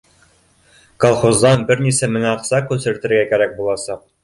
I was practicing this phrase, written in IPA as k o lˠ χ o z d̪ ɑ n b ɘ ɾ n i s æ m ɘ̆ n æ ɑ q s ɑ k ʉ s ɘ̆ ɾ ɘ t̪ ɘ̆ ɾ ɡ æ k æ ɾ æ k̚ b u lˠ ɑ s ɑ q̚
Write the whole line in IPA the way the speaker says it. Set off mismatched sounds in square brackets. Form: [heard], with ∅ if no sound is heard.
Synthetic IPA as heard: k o lˠ χ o z d̪ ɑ n b ɘ ɾ n i s æ m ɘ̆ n æ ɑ q s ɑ k ʉ s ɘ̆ ɾ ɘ t̪ ɘ̆ ɾ ɡ æ k æ ɾ æ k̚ b u lˠ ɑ s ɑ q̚